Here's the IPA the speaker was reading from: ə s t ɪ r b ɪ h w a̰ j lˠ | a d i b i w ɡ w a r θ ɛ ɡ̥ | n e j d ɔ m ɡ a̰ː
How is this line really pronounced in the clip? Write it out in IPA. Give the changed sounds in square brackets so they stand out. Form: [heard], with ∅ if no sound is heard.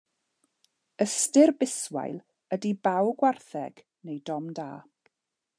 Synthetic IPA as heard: ə s t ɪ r b ɪ [s] w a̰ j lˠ | [ə] d i b [a] w ɡ w a r θ ɛ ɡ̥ | n e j d ɔ m [d] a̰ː